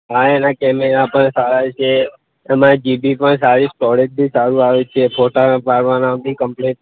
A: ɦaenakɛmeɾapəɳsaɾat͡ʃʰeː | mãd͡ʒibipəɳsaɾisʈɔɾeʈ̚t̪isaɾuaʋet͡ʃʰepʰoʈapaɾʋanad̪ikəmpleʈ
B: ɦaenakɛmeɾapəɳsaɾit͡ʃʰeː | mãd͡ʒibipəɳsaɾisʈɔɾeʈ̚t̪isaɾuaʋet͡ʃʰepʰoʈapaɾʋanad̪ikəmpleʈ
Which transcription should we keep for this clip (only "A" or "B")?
A